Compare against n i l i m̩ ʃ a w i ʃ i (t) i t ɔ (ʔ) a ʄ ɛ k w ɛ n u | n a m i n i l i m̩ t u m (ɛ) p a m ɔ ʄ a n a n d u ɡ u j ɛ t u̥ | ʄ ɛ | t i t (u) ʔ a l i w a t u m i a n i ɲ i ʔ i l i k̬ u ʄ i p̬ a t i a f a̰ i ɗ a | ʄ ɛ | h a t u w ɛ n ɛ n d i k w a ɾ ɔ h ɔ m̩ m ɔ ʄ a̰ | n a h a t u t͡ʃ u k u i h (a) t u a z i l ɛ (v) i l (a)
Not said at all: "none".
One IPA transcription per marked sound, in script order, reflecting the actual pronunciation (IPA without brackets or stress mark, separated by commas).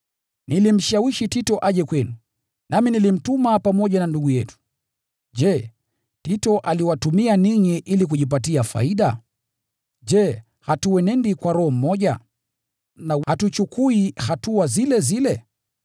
t, ʔ, a, ɔ, a, z, ɛ